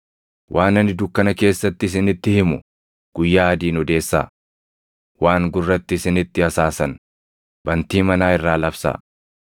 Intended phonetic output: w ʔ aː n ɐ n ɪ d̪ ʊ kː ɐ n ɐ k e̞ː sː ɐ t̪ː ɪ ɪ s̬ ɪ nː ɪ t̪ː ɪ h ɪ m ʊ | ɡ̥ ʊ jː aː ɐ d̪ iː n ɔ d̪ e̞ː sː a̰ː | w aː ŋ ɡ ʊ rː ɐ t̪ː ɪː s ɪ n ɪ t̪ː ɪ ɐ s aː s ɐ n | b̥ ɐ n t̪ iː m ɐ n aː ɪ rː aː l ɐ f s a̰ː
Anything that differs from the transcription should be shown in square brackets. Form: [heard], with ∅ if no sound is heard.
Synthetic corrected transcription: w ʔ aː n ɐ n ɪ d̪ ʊ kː ɐ n ɐ k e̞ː sː ɐ t̪ː ɪ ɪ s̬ ɪ [n] ɪ t̪ː ɪ h ɪ m ʊ | ɡ̥ ʊ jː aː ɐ d̪ iː n ɔ d̪ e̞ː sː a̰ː | w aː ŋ ɡ ʊ rː ɐ t̪ː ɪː s ɪ n ɪ t̪ː ɪ ɐ s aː s ɐ n | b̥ ɐ n t̪ iː m ɐ n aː ɪ rː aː l ɐ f s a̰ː